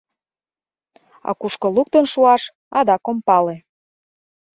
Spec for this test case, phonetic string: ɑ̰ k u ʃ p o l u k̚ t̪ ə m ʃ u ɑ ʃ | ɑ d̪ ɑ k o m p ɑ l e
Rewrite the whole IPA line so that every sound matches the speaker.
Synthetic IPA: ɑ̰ k u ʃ k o l u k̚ t̪ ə n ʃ u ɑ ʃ | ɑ d̪ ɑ k o m p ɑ l e